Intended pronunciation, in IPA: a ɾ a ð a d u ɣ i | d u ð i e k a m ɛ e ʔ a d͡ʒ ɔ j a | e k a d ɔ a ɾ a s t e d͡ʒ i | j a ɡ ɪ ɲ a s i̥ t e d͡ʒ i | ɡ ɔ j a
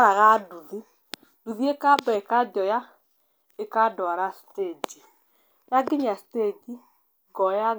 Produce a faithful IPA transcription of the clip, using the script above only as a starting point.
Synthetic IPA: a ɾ a ɣ a d u ð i | d u ð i e k a b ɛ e k a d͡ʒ ɔ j a | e k a d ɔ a ɾ a s t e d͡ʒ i | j a ɡ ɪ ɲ a s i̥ t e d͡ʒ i | ɡ ɔ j a